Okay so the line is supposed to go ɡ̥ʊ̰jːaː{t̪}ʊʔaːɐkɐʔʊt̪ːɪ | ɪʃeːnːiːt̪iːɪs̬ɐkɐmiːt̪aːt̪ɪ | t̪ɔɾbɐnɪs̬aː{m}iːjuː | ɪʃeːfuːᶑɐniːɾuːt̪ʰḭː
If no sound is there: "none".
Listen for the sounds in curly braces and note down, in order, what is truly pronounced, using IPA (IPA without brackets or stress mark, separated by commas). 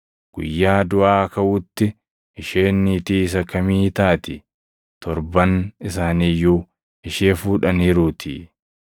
d̪, n